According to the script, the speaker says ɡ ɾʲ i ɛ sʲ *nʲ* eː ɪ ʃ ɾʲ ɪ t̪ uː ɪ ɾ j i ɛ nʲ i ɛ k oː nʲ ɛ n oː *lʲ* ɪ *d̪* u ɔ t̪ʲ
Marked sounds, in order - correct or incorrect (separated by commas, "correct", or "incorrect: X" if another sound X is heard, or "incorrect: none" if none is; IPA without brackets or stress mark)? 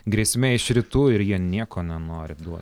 incorrect: mʲ, incorrect: ɾʲ, correct